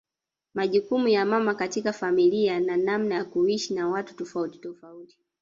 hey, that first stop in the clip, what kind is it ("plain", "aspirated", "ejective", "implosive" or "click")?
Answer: implosive